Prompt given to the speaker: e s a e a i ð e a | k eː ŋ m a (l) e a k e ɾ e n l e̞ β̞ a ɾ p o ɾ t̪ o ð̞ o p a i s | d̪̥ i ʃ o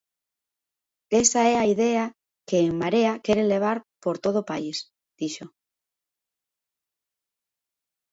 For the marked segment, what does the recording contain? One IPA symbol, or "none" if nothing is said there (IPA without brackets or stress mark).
ɾ